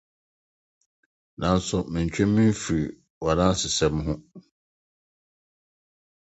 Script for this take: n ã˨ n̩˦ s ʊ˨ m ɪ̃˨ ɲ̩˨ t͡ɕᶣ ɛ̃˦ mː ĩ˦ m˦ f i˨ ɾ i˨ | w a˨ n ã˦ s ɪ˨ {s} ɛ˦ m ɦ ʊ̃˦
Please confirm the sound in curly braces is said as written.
yes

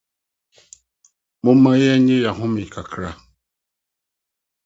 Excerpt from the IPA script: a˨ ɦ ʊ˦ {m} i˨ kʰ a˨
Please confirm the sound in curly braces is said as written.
yes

